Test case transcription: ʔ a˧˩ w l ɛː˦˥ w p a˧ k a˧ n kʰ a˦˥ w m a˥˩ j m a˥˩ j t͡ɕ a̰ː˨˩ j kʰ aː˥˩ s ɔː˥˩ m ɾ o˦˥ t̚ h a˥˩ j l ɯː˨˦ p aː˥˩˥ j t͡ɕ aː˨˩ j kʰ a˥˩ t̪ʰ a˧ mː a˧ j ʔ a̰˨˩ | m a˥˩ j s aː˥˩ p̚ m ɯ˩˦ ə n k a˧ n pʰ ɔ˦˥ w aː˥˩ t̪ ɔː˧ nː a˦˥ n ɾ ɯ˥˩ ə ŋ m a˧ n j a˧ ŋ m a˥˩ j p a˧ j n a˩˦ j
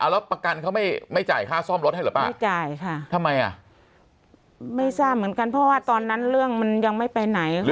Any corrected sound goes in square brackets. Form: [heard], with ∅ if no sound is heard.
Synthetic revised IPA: ʔ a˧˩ w l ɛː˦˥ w p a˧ k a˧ n kʰ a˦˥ w m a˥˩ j m a˥˩ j t͡ɕ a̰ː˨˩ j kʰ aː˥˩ s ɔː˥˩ m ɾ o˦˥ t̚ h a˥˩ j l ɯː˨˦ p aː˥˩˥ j t͡ɕ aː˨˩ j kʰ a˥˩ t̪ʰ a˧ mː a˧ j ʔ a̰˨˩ | m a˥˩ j s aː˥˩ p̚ m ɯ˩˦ ə n k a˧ n pʰ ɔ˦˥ w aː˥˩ t̪ ɔː˧ nː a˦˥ n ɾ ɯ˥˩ ə ŋ m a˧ n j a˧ ŋ m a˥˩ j p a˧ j n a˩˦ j